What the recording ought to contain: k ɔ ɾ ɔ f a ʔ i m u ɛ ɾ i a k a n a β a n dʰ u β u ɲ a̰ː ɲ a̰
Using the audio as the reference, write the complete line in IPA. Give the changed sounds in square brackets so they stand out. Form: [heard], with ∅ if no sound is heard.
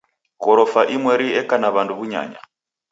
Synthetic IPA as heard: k ɔ ɾ ɔ f a ʔ i m [w] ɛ ɾ i [ɛ] k a n a β a n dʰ u β u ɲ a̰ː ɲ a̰